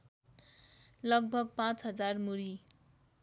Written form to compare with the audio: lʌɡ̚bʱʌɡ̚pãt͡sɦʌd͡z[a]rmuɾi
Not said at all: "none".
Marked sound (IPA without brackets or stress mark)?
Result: a